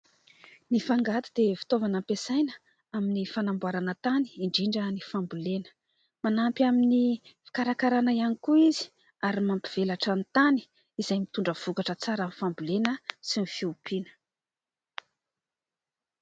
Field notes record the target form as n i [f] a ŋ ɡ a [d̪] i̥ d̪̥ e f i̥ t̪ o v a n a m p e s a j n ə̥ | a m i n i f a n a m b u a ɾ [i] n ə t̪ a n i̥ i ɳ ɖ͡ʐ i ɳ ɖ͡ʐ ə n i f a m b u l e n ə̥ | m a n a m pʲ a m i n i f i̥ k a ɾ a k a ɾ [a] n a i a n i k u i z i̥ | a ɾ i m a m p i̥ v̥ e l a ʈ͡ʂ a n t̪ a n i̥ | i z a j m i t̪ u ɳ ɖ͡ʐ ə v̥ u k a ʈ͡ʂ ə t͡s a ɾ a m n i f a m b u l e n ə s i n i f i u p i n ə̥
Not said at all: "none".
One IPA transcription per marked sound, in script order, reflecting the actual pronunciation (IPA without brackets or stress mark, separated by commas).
f, t̪, a, a